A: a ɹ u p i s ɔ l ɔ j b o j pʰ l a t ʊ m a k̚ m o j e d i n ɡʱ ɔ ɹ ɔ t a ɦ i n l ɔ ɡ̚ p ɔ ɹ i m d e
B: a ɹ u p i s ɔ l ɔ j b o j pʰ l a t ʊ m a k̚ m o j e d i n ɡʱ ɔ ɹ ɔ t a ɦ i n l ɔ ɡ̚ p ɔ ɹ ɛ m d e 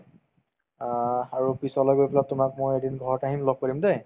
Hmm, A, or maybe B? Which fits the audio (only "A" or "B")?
A